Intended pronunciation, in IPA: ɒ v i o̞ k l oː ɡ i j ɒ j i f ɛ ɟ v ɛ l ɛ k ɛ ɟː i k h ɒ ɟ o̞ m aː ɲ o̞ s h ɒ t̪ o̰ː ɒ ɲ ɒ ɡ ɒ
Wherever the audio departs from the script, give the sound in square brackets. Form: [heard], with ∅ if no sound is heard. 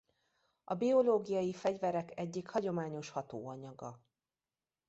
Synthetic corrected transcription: ɒ [b] i o̞ [∅] l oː ɡ i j ɒ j i f ɛ ɟ v ɛ [ɾ] ɛ k ɛ ɟː i k h ɒ ɟ o̞ m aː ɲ o̞ [ʃ] h ɒ t̪ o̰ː ɒ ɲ ɒ ɡ ɒ